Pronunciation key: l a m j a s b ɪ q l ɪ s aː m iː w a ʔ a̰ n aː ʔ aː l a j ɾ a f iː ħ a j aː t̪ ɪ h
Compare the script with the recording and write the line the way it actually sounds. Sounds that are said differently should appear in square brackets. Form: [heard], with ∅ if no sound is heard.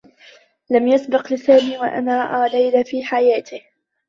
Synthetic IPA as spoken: l a m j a s b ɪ q l ɪ s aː m iː w a ʔ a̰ n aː ʔ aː l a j [l] a f iː ħ a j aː t̪ ɪ h